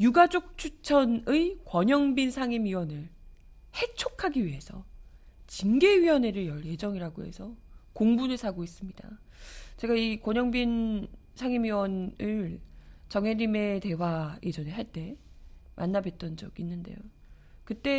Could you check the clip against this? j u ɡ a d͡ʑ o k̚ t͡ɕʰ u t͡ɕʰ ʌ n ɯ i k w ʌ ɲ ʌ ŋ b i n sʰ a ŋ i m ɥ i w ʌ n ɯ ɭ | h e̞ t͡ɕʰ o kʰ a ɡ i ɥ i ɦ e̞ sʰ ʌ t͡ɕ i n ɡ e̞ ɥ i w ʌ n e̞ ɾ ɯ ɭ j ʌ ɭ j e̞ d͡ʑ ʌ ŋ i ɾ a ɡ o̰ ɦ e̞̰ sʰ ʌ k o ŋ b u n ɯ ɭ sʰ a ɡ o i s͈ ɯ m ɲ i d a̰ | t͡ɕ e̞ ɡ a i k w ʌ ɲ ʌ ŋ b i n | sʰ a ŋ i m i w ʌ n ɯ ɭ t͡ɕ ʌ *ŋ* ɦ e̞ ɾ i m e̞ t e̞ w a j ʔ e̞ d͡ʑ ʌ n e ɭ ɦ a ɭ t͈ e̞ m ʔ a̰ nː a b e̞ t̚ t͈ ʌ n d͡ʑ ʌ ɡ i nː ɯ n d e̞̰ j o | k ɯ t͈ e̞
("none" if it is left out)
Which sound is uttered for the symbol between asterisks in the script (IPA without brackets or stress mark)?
ŋ